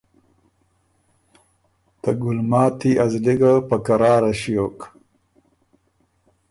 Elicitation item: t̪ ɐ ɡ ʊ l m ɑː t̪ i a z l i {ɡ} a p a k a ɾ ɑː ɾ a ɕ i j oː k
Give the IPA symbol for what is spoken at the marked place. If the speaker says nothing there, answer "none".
ɡ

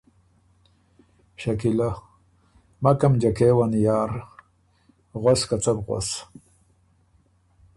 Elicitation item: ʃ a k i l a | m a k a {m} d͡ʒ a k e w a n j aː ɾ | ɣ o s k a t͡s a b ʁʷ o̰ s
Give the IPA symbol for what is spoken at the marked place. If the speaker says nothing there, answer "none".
m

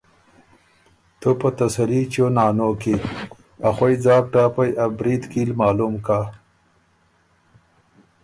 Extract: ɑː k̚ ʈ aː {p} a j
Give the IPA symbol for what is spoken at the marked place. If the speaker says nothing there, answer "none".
p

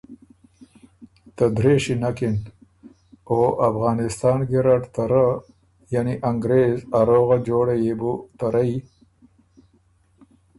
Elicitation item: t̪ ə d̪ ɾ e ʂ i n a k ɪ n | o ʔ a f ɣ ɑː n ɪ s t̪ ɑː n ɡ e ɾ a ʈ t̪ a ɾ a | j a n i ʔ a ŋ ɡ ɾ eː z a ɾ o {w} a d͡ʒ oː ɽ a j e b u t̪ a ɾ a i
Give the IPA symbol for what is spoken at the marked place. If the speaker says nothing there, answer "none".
ɣ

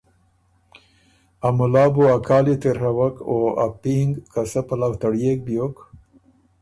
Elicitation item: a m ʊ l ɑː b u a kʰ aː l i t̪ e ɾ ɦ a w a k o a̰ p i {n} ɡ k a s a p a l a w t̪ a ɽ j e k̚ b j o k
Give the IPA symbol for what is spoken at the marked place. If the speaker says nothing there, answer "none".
ŋ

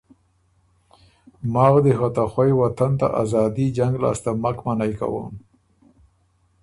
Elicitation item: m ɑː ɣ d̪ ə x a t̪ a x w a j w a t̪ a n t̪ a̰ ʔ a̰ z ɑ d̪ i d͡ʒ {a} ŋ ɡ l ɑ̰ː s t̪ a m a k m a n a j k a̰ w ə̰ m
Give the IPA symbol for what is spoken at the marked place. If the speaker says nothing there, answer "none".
a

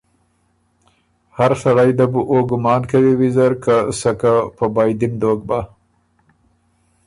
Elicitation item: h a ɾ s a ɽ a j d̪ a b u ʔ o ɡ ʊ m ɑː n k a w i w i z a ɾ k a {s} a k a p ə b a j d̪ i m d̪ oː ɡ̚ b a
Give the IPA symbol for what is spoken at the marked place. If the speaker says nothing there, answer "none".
s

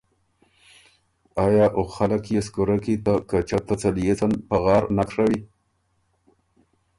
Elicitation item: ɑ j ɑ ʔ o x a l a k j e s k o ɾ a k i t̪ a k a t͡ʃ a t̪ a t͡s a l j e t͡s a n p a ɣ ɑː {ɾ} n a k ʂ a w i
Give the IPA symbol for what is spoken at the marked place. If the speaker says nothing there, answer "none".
ɾ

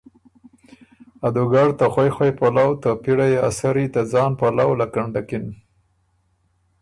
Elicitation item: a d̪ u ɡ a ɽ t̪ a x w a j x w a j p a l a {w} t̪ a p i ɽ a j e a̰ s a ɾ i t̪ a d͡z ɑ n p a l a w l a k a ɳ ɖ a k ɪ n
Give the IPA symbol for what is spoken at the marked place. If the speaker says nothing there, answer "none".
w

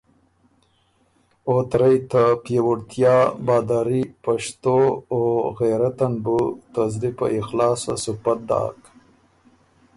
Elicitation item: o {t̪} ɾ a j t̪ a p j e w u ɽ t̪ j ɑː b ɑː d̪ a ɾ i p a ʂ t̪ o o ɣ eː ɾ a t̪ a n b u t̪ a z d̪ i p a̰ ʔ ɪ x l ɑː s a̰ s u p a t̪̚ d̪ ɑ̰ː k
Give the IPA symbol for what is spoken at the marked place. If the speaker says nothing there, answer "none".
t̪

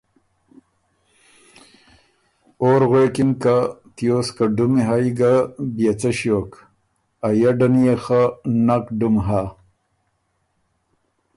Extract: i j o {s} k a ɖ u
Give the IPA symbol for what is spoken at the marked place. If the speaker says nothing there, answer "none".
s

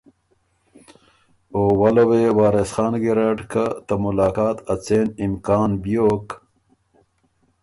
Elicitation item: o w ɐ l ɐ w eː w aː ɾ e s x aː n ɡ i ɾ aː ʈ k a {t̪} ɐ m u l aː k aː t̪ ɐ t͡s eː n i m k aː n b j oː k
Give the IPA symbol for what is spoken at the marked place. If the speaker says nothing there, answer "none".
t̪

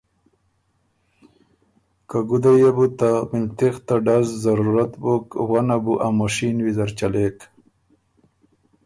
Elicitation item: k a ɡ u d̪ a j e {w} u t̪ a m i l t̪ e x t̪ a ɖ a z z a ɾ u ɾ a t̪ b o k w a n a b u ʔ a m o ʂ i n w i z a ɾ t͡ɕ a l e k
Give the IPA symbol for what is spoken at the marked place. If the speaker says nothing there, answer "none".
b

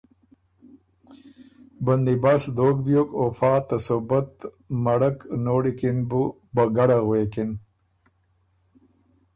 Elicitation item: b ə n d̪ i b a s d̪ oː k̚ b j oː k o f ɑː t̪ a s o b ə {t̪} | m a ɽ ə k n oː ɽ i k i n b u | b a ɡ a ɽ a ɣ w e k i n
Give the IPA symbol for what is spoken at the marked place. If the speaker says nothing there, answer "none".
t̪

